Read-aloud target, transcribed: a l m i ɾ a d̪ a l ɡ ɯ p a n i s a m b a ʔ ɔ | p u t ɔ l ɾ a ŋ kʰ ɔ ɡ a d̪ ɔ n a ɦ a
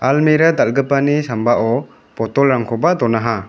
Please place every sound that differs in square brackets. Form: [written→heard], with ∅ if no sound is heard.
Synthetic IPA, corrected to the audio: a l m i ɾ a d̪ a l ɡ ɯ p a n i s a m b a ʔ ɔ | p [u→ɔ] t ɔ l ɾ a ŋ kʰ ɔ [ɡ→b] a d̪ ɔ n a ɦ a